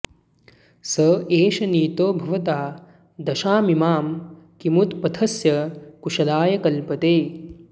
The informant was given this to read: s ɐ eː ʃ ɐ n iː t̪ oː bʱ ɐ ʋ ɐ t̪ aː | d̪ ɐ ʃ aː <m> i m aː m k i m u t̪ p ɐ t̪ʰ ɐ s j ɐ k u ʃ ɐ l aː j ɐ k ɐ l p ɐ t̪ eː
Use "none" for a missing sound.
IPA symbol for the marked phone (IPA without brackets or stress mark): m